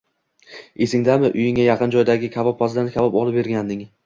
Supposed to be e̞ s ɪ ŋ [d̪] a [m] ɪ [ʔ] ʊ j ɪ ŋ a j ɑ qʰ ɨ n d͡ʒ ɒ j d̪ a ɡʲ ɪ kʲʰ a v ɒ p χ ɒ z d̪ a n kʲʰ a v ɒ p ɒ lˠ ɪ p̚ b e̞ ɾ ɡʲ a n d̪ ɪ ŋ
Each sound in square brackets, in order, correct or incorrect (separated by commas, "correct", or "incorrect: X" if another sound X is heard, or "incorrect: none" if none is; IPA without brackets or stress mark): correct, correct, correct